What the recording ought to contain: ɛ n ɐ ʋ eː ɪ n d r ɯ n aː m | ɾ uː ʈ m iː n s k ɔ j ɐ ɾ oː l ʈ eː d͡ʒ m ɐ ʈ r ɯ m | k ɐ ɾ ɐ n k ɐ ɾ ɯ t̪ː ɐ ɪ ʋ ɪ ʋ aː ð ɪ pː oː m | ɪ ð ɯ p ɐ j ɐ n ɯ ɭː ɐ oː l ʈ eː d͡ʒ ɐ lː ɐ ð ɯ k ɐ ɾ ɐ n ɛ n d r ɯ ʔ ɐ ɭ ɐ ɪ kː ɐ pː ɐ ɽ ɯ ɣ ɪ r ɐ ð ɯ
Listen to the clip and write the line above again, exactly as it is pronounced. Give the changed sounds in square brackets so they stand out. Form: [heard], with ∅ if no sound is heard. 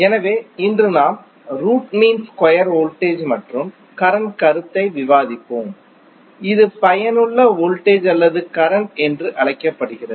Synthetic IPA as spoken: ɛ n ɐ ʋ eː ɪ n d r ɯ n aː m | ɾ uː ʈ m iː n s k ɔ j ɐ ɾ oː l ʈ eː d͡ʒ m ɐ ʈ r ɯ m | k ɐ ɾ ɐ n k ɐ ɾ ɯ t̪ː ɐ ɪ ʋ ɪ ʋ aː ð ɪ pː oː m | ɪ ð ɯ p ɐ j ɐ n ɯ ɭː ɐ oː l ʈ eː d͡ʒ ɐ lː ɐ ð ɯ k ɐ ɾ ɐ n ɛ n d r ɯ ʔ ɐ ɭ ɐ ɪ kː ɐ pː ɐ ɽ ɯ ɣ ɪ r ɐ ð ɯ